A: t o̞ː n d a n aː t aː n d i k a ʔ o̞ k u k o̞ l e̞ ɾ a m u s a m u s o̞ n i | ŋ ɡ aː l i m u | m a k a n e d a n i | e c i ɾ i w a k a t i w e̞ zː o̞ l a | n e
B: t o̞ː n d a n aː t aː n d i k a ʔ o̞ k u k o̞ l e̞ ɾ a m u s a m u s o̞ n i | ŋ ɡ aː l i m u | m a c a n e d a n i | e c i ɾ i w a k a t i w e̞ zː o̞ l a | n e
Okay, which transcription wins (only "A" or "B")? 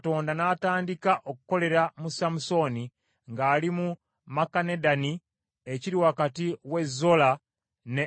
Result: A